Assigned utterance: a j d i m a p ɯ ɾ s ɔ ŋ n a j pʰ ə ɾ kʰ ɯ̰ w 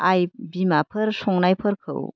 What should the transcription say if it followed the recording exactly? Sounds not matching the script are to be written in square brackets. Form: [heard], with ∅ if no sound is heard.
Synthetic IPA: a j [b] i m a [pʰ] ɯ ɾ s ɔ ŋ n a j pʰ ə ɾ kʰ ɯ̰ w